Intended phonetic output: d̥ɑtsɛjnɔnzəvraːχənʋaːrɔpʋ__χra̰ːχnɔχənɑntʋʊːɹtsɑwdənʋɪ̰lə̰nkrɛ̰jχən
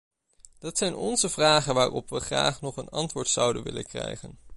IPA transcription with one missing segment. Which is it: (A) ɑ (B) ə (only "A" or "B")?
B